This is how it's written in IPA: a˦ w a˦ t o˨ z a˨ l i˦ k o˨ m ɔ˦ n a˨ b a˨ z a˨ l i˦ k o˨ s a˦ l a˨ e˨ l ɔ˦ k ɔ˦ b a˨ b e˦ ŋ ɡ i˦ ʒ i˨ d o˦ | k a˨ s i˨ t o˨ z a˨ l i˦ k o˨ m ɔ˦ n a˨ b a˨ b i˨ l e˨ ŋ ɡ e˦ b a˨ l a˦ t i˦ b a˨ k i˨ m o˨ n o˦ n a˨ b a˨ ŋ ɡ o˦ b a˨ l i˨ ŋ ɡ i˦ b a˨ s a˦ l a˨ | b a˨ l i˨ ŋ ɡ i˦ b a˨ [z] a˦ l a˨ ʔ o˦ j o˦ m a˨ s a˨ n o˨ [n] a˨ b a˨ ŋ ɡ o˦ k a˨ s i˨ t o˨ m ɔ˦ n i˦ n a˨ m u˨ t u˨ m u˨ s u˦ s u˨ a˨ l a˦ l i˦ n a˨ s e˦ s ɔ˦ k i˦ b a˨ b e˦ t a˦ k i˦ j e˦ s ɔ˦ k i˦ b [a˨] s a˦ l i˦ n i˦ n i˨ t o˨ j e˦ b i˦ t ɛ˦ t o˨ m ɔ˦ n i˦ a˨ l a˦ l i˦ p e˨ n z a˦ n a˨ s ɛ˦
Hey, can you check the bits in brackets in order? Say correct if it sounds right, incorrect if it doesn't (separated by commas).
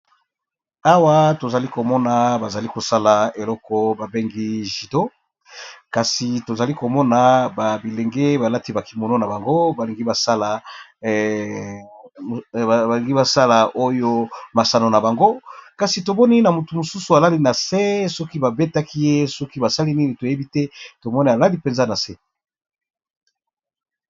incorrect, correct, correct